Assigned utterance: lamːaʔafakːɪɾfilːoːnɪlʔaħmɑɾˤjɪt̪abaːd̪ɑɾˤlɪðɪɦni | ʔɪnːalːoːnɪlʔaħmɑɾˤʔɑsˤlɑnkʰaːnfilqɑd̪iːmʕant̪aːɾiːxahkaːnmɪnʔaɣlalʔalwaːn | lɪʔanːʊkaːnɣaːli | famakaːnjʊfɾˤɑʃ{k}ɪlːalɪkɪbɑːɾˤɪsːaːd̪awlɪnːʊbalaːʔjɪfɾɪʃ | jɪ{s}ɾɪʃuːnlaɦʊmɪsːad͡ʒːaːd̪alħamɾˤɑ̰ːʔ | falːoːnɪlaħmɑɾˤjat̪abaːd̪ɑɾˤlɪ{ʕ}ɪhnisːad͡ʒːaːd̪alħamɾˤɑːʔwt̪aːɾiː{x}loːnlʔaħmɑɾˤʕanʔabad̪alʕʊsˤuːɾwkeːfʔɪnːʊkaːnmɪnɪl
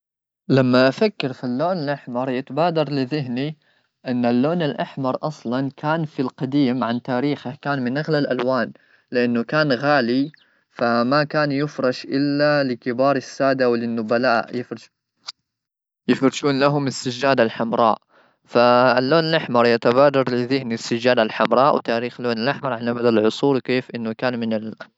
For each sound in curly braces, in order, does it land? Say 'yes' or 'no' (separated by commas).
no, no, no, yes